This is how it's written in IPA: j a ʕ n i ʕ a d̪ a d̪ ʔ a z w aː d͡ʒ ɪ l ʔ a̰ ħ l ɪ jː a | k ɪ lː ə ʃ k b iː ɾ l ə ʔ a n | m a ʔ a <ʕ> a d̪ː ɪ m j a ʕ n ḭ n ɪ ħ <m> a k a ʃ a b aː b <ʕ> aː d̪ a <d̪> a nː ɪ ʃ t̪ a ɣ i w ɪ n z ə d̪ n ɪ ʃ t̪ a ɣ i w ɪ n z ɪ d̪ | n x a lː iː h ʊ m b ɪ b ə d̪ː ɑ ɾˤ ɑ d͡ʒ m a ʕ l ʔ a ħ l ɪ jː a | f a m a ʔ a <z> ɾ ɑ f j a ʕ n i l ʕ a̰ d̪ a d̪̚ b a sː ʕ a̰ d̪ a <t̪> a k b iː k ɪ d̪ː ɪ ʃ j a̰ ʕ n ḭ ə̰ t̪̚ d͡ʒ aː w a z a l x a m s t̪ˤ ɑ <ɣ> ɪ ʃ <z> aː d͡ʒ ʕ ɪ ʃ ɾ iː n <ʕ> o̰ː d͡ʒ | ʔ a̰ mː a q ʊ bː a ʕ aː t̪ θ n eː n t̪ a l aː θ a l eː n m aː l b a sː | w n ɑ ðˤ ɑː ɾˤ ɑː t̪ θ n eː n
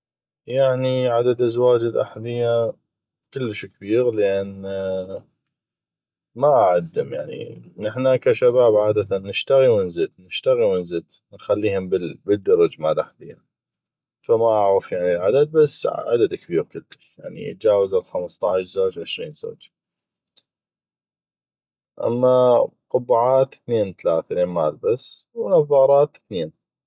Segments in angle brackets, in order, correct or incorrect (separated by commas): correct, incorrect, correct, incorrect, incorrect, incorrect, incorrect, correct, incorrect